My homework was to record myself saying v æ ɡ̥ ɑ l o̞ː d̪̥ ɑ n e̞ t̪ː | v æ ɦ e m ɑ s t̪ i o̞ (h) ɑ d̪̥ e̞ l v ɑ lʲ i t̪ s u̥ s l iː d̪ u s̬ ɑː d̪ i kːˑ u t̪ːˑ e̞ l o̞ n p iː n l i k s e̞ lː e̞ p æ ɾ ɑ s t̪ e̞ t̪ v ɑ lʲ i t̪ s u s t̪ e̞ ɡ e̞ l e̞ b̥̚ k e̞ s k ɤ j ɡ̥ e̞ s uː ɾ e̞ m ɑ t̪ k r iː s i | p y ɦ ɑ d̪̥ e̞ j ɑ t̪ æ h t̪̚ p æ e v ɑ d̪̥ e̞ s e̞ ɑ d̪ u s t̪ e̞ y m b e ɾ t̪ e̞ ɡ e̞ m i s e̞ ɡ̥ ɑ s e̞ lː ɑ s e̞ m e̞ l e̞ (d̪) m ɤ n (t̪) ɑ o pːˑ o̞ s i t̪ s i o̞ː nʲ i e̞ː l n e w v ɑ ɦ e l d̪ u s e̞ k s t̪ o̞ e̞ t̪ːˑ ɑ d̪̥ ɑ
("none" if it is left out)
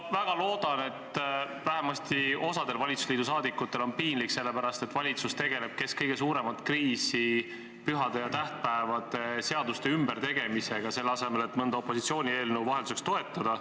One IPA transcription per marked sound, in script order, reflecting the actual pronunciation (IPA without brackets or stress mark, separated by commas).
s, t̪, d̪